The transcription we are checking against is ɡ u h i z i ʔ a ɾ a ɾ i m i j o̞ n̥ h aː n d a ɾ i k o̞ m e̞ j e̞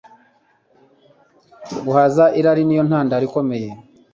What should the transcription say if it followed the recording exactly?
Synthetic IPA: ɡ u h a z a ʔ i ɾ a ɾ i n i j o̞ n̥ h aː n d a ɾ i k o̞ m e̞ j e̞